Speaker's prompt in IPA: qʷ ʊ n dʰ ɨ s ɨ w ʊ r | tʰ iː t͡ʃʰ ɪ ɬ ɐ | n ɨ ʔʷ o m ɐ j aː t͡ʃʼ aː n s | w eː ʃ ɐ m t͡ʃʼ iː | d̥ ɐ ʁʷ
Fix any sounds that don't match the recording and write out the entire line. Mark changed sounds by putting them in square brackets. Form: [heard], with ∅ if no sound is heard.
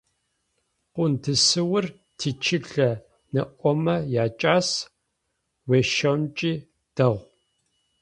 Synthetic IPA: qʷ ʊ n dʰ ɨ s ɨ w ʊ r | tʰ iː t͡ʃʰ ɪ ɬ ɐ | n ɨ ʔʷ [ɔ] m ɐ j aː t͡ʃʼ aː [∅] s | w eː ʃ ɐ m t͡ʃʼ iː | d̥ ɐ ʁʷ

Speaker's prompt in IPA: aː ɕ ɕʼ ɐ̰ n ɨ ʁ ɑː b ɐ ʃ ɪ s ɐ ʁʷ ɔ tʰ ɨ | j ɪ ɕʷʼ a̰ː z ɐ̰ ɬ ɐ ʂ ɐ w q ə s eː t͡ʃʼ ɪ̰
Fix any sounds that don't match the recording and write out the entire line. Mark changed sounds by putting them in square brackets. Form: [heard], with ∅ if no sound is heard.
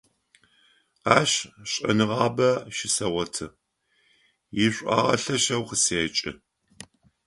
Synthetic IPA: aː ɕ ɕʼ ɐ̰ n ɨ ʁ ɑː b ɐ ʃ ɪ s ɐ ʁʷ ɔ tʰ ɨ | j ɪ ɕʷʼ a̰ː [ʁ] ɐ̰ ɬ ɐ [ʃ] ɐ w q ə s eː t͡ʃʼ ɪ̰

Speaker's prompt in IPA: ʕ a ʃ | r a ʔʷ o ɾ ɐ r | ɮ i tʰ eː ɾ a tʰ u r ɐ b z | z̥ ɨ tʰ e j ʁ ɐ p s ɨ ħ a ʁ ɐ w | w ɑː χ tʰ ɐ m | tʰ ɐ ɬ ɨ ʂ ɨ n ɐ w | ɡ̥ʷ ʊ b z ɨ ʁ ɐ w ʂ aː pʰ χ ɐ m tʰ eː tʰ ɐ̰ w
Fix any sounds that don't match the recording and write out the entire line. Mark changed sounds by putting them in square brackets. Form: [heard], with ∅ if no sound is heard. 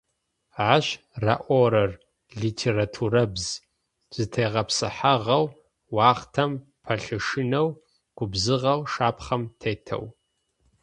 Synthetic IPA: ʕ a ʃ | r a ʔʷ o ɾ ɐ r | ɮ i tʰ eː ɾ a tʰ u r ɐ b z | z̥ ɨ tʰ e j ʁ ɐ p s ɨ ħ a ʁ ɐ w | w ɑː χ tʰ ɐ m | [pʰ] ɐ ɬ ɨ ʂ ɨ n ɐ w | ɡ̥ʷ ʊ b z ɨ ʁ ɐ w ʂ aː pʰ χ ɐ m tʰ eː tʰ ɐ̰ w

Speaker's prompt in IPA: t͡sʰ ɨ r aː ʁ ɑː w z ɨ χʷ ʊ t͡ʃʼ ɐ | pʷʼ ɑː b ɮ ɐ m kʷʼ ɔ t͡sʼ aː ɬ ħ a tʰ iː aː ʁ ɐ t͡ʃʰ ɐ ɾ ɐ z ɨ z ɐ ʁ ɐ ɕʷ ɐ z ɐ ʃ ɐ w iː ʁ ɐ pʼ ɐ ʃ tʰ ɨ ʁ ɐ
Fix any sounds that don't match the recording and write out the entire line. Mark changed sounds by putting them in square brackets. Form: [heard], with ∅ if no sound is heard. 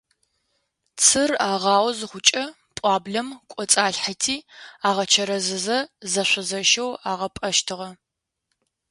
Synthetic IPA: t͡sʰ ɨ r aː ʁ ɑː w z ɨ χʷ ʊ t͡ʃʼ ɐ | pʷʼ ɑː b ɮ ɐ m kʷʼ ɔ t͡sʼ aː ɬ ħ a tʰ iː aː ʁ ɐ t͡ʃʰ ɐ ɾ ɐ z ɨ z ɐ [z] ɐ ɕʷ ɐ z ɐ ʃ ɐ w [aː] ʁ ɐ pʼ ɐ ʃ tʰ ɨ ʁ ɐ

